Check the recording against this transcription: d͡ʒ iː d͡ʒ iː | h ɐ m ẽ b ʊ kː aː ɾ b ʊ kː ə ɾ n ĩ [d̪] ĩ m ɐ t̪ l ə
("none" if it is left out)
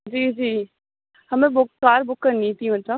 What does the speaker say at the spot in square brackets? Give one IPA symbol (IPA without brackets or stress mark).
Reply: t̪